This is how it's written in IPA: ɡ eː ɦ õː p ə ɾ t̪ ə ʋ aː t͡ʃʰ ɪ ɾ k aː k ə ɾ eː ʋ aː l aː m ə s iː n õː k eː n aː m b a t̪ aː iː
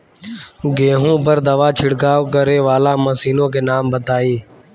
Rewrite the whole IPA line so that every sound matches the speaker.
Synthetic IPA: ɡ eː ɦ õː p ə ɾ d̪ ə ʋ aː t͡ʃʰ ɪ ɽ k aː k ə ɾ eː ʋ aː l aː m ə s iː n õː k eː n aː m b ə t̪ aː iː